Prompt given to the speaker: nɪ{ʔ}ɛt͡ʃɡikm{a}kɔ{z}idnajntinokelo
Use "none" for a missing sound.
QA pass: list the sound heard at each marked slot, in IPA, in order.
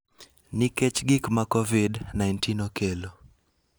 k, a, v

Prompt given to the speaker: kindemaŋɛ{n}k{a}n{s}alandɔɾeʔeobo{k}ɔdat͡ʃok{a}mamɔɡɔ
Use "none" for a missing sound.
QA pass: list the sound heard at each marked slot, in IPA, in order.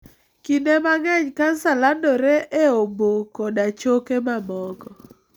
ɲ, a, s, k, e

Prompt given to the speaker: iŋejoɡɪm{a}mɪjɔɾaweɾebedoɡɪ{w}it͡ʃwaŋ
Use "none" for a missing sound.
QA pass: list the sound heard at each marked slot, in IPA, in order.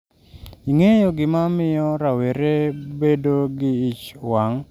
a, none

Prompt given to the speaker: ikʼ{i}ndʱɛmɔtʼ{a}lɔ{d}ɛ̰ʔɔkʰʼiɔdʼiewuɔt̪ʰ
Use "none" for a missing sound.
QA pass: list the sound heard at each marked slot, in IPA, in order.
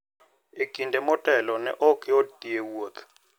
i, ɛ, n

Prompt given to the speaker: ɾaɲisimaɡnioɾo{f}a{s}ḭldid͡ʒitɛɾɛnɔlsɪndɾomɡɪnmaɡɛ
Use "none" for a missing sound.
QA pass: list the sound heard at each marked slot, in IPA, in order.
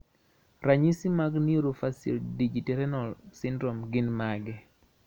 f, s

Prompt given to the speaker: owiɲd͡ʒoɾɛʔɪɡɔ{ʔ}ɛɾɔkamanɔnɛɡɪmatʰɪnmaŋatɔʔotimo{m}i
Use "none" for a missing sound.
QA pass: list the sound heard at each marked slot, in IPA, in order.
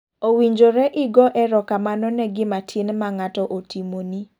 ʔ, n

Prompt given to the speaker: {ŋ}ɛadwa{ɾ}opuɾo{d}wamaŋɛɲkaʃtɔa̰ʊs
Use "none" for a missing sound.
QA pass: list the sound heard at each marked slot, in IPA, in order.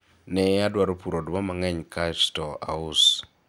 n, ɾ, d

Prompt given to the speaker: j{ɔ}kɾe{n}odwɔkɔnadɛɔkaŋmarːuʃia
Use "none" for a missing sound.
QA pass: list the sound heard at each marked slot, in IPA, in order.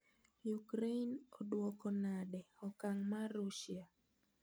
u, n

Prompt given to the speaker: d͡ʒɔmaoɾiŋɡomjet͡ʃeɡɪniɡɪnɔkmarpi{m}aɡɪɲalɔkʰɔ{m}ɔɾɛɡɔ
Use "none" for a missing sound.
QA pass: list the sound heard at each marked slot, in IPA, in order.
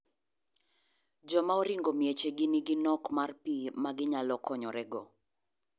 m, ɲ

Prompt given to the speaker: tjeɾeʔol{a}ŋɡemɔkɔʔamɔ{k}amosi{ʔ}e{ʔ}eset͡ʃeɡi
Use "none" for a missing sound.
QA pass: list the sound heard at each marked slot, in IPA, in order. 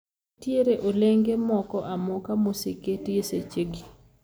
e, k, k, t

